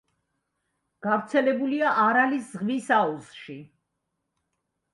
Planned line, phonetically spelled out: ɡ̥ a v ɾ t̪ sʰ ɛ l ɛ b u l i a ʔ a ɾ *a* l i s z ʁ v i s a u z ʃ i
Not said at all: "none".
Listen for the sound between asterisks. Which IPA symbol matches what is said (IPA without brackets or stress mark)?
a